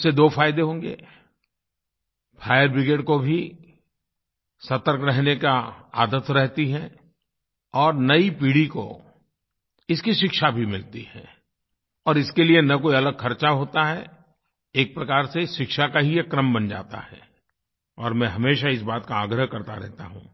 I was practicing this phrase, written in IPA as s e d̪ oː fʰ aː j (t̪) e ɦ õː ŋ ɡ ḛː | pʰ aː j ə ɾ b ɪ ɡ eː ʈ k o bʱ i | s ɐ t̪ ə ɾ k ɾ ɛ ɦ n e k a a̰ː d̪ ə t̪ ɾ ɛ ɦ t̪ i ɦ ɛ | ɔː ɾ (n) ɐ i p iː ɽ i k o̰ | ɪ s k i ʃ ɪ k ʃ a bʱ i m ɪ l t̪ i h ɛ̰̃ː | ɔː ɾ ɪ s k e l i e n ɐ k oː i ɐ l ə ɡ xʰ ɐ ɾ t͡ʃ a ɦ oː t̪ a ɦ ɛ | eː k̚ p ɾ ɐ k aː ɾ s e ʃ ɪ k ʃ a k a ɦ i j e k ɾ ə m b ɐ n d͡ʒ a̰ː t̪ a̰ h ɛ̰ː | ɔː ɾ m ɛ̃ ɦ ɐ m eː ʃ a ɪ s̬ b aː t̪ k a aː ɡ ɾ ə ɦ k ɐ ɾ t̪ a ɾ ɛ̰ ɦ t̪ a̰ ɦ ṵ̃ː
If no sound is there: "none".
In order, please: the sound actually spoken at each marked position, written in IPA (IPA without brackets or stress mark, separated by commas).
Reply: d̪, n